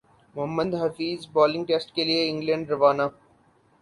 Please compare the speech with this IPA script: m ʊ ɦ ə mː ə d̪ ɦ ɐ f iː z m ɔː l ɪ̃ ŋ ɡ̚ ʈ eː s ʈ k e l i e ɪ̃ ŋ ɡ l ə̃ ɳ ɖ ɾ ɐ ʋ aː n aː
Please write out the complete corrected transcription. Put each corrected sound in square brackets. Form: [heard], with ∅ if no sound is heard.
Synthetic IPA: m ʊ ɦ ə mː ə d̪ ɦ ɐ f iː z [b] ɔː l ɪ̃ ŋ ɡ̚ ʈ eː s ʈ k e l i e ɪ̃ ŋ ɡ l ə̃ ɳ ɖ ɾ ɐ ʋ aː n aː